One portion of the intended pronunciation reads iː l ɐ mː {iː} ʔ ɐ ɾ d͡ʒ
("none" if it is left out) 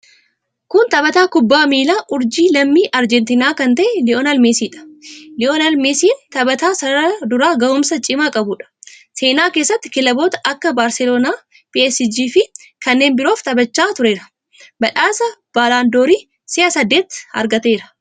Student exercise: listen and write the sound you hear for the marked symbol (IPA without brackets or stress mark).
iː